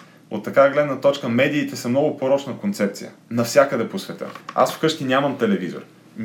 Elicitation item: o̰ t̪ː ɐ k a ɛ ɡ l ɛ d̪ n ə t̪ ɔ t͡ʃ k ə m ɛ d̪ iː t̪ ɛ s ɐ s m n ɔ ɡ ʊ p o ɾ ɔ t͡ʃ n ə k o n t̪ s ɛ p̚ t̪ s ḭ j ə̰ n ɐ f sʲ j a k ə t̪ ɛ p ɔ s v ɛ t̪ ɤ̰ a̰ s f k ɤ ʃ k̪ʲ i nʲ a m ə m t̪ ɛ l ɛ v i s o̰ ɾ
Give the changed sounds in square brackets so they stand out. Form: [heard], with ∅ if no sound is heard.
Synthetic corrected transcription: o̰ t̪ː ɐ k a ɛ ɡ l ɛ d̪ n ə t̪ ɔ t͡ʃ k ə m ɛ d̪ iː t̪ ɛ s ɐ [∅] m n ɔ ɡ ʊ p o ɾ ɔ t͡ʃ n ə k o n t̪ s ɛ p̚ t̪ s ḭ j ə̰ n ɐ f sʲ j a k ə [d̪] ɛ p [o] s v ɛ t̪ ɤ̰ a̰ s f k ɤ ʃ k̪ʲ i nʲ a m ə m t̪ ɛ l ɛ v i [z] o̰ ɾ